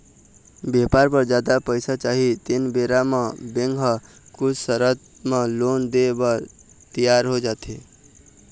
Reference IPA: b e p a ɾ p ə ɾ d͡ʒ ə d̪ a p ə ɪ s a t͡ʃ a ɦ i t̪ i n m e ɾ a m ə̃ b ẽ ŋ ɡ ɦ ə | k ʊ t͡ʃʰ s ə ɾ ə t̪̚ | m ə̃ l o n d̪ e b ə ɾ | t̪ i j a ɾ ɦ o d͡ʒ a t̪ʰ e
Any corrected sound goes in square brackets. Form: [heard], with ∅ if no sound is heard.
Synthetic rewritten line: b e p a ɾ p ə ɾ d͡ʒ [a] d̪ a p ə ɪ s a t͡ʃ a ɦ i t̪ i n [b] e ɾ a m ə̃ b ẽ ŋ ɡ ɦ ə | k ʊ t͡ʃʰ s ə ɾ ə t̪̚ | m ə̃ l o n d̪ e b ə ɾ | t̪ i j a ɾ ɦ o d͡ʒ a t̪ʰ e

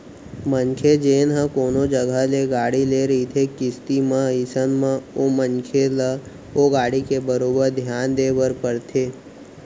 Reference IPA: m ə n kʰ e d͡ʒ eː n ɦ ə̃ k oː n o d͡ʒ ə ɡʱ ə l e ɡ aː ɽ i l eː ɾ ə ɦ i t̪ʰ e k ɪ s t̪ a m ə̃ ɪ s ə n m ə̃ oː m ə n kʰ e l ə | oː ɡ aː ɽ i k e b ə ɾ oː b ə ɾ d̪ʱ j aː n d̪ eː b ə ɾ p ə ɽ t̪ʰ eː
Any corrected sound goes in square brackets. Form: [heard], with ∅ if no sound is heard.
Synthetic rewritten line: m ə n kʰ e d͡ʒ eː n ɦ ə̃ k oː n o d͡ʒ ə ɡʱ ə l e ɡ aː ɽ i l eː ɾ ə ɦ i t̪ʰ e k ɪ s t̪ [i] m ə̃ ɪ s ə n m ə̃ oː m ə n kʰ e l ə | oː ɡ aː ɽ i k e b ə ɾ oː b ə ɾ d̪ʱ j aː n d̪ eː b ə ɾ p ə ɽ t̪ʰ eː

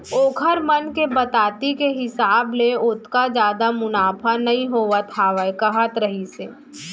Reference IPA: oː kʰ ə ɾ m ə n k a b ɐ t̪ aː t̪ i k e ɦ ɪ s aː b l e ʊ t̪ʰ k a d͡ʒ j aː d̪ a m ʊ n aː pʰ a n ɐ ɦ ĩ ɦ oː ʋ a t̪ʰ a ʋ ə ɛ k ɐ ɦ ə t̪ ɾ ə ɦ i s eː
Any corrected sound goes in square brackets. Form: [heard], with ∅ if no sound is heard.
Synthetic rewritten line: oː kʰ ə ɾ m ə n k [e] b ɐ t̪ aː t̪ i k e ɦ ɪ s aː b l e ʊ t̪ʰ k a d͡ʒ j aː d̪ a m ʊ n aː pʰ a n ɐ ɦ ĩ ɦ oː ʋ a t̪ʰ a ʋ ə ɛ k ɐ ɦ ə t̪ ɾ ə ɦ i s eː

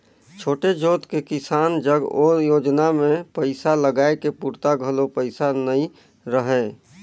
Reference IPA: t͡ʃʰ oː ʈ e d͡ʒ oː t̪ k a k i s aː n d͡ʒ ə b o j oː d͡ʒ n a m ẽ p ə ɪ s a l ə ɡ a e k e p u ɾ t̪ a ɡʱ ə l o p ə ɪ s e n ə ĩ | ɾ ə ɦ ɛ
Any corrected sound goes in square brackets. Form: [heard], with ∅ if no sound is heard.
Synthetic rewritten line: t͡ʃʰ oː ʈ e d͡ʒ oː t̪ k [e] k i s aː n d͡ʒ ə [ɡ] o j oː d͡ʒ n a m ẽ p ə ɪ s a l ə ɡ a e k e p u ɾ t̪ a ɡʱ ə l o p ə ɪ s [a] n ə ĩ | ɾ ə ɦ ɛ

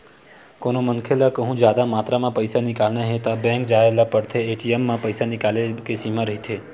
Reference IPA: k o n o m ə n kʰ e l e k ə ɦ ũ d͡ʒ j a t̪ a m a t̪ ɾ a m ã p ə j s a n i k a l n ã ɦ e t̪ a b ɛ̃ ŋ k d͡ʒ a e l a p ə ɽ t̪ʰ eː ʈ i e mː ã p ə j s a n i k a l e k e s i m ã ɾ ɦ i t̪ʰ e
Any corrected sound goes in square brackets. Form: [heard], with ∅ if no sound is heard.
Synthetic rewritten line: k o n o m ə n kʰ e l [a] k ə ɦ ũ d͡ʒ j a [d̪] a m a t̪ ɾ a m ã p ə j s a n i k a l n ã ɦ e t̪ a b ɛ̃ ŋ k d͡ʒ a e l a p ə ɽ t̪ʰ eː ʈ i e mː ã p ə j s a n i k a l e k e s i m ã ɾ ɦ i t̪ʰ e

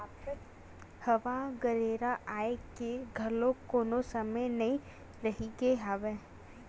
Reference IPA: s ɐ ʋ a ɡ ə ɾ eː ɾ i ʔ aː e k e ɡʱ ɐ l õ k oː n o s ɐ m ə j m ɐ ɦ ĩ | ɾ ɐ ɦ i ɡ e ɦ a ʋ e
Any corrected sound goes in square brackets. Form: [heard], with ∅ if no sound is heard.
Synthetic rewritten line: [h] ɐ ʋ a ɡ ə ɾ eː ɾ [a] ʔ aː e k e ɡʱ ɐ l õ k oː n o s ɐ m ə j [n] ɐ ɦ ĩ | ɾ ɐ ɦ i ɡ e ɦ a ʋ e

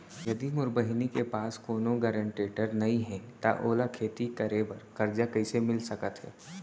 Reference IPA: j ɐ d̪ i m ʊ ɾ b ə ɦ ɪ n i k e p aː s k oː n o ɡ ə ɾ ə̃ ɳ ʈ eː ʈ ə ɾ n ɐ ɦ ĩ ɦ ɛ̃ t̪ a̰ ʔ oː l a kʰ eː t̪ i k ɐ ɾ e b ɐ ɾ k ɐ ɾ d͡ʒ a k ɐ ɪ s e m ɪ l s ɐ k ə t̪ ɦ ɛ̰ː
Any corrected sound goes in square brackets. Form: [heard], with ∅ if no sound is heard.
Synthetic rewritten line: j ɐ d̪ i m ʊ ɾ b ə ɦ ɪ n i k e p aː s k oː n o ɡ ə ɾ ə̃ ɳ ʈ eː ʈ ə ɾ n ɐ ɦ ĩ ɦ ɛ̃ t̪ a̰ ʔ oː l a kʰ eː t̪ i k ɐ ɾ e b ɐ ɾ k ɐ ɾ d͡ʒ a k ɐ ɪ s e m ɪ l s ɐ k ə t̪ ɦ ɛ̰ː

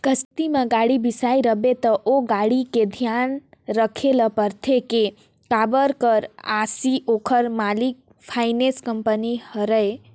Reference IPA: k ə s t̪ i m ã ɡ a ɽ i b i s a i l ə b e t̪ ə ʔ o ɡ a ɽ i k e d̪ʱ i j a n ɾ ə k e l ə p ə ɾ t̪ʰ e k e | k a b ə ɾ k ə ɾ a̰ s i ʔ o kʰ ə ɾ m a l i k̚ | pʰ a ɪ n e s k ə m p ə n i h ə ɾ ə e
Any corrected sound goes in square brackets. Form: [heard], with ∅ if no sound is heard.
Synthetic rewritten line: k ə s t̪ i m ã ɡ a ɽ i b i s a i [ɾ] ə b e t̪ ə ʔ o ɡ a ɽ i k e d̪ʱ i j a n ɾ ə [kʰ] e l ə p ə ɾ t̪ʰ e k e | k a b ə ɾ k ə ɾ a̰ s i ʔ o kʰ ə ɾ m a l i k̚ | pʰ a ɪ n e s k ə m p ə n i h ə ɾ ə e

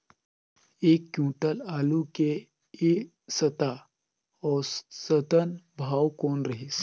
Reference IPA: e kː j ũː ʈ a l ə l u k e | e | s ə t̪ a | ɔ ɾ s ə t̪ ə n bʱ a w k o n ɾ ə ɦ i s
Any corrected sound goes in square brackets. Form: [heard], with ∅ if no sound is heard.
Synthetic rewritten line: e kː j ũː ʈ [ə] l [a] l u k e | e | s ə t̪ a | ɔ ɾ s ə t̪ ə n bʱ a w k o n ɾ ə ɦ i s

